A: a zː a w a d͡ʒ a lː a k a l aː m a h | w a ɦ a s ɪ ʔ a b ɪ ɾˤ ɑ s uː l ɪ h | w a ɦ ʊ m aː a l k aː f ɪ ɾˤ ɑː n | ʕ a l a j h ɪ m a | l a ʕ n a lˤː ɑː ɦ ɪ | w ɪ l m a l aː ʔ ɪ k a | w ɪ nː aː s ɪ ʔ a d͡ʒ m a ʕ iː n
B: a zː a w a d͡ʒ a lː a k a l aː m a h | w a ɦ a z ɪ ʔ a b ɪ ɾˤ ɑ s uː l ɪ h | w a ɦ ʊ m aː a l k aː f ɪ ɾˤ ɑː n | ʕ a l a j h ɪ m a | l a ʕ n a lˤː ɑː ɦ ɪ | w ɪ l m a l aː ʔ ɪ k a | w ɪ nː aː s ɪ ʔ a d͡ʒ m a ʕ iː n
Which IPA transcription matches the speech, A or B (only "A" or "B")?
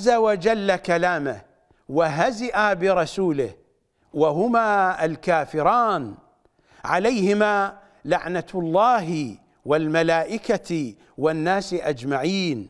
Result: B